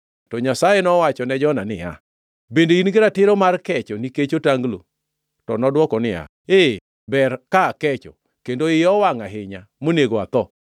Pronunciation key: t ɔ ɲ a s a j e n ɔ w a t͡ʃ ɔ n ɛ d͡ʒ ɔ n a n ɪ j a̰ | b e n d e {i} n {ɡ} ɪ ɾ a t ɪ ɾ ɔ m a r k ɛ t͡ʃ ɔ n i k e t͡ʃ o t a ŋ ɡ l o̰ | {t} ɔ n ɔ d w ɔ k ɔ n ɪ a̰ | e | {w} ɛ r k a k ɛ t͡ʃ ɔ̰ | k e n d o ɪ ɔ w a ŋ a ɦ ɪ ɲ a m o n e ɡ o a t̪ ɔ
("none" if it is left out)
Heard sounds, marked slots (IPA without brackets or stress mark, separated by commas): i, ɡ, t, b